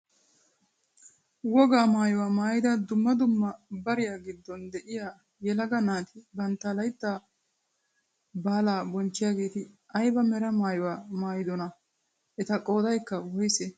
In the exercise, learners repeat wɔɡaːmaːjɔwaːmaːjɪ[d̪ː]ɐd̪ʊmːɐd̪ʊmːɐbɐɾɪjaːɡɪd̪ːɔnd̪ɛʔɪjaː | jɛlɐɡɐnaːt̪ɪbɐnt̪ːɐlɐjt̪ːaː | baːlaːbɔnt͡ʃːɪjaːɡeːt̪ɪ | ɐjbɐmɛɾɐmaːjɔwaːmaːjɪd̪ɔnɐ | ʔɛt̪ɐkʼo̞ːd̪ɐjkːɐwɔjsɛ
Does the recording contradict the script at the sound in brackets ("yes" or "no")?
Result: yes